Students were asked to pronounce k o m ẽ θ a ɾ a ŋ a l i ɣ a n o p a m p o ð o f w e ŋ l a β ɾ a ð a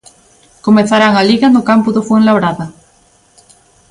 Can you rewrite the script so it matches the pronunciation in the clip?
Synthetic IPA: k o m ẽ θ a ɾ a ŋ a l i ɣ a n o k a m p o ð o f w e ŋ l a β ɾ a ð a